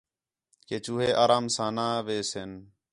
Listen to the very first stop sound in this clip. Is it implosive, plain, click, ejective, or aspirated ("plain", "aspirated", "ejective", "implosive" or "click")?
plain